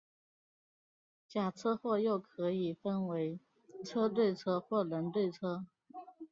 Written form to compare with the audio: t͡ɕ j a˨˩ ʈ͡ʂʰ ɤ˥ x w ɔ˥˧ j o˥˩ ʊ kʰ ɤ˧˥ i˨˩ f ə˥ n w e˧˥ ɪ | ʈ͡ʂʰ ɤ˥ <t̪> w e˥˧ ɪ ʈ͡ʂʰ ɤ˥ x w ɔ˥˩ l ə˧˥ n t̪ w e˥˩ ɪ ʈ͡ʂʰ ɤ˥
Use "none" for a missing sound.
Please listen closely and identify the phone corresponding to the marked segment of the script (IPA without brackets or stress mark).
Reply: t̪